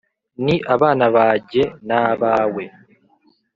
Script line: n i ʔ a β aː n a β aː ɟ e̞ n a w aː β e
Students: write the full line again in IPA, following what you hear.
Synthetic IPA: n i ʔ a β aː n a β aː ɟ e̞ n a β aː w e

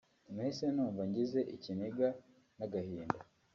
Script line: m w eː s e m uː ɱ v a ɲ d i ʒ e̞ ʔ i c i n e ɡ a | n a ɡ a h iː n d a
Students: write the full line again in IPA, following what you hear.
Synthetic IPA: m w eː s e n uː ɱ v a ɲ ɟ i z e̞ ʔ i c i n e ɡ a | n a ɡ a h iː n d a

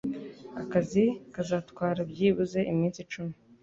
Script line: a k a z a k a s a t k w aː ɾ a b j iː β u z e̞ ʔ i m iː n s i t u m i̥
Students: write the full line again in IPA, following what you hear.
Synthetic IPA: a k a z i k a z a t k w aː ɾ a b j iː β u z e̞ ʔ i m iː n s i t͡ʃ u m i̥

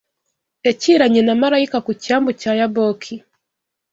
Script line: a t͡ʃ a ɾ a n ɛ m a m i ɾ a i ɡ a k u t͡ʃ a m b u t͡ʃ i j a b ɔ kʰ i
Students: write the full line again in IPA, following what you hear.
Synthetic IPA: ɛ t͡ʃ i ɾ a ɲ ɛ n a m a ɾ a i k a k u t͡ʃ a m b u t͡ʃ a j a b ɔ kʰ i

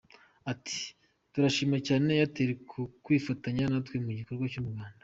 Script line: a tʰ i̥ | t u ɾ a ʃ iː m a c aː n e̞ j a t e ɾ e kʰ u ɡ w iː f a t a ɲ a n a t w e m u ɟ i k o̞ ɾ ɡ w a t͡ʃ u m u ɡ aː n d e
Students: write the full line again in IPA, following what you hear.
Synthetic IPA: a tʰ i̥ | t u ɾ a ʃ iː m a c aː n e̞ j a t e ɾ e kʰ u k w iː f a t a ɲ a n a t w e m u ɟ i k o̞ ɾ ɡ w a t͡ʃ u m u ɡ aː n d a

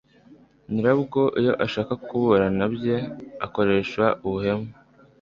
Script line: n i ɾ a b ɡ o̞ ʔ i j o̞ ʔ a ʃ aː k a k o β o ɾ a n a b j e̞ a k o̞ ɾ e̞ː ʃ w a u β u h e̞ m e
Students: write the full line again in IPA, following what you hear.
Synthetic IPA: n i ɾ a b ɡ o̞ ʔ i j o̞ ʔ a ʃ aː k a k u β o ɾ a n a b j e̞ a k o̞ ɾ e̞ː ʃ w a u β u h e̞ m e

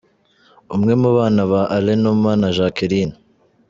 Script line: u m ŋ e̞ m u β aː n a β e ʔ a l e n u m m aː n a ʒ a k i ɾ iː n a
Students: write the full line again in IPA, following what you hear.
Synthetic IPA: u m ŋ e̞ m u β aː n a β a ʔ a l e n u m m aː n a ʒ a k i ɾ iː n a

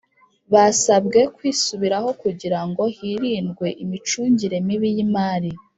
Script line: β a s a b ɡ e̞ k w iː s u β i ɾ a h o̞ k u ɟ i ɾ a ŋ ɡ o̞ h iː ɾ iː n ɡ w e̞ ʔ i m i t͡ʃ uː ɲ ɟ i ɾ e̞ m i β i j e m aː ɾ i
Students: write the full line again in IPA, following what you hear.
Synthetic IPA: β a s a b ɡ e̞ k w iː s u β i ɾ a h o̞ k u ɟ i ɾ a ŋ ɡ o̞ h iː ɾ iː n ɡ w e̞ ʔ i m i t͡ʃ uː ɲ ɟ i ɾ e̞ m i β i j i m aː ɾ i

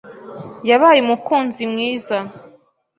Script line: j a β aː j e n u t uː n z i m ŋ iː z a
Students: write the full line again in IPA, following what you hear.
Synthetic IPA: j a β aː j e m u k uː n z i m ŋ iː z a

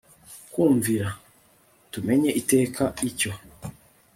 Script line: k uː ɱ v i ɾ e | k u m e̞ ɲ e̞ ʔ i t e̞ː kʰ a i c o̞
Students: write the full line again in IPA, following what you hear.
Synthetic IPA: k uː ɱ v i ɾ a | t u m e̞ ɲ e̞ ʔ i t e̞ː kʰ a i c o̞

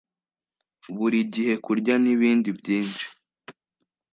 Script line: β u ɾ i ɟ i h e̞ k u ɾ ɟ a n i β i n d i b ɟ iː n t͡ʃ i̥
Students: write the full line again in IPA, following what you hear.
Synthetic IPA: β u ɾ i ɟ i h e̞ k u ɾ ɟ a n i β iː n d i b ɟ iː n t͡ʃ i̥

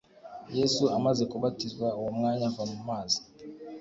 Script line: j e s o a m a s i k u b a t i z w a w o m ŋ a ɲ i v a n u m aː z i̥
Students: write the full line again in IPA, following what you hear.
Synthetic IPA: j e s u a m a z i k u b a t i z w a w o m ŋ a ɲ a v a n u m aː z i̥

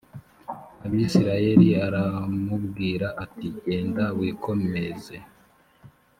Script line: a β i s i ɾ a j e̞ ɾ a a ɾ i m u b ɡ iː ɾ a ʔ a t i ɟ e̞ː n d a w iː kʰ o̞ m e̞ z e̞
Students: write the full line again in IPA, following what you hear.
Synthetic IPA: a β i s i ɾ a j e̞ ɾ i a ɾ a m u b ɡ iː ɾ a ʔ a t i ɟ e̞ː n d a w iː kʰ o̞ m e̞ z e̞

